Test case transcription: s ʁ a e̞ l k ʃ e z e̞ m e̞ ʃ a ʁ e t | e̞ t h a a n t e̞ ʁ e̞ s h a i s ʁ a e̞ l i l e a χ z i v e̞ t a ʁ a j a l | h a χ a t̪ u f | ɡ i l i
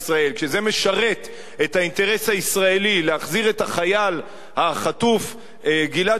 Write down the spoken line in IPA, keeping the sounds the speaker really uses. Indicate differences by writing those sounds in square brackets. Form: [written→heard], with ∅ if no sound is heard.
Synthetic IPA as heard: s ʁ a e̞ l k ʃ e z e̞ m e̞ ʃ a ʁ e t | e̞ t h a [a→i] n t e̞ ʁ e̞ s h a i s ʁ a e̞ l i l e a χ z i [v→ʁ] e̞ t a [ʁ→χ] a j a l | h a χ a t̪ u f | ɡ i l [i→a]